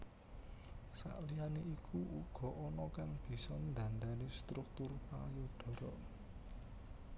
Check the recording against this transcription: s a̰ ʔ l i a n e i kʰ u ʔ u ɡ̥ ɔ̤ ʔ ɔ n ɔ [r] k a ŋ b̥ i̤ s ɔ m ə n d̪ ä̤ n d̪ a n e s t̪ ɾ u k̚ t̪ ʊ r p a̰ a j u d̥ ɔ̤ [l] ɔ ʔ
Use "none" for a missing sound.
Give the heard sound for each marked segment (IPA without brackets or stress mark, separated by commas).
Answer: none, ɾ